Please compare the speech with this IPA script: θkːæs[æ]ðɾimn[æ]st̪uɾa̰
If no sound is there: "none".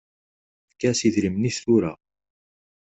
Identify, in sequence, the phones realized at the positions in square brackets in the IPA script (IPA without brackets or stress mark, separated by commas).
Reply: i, i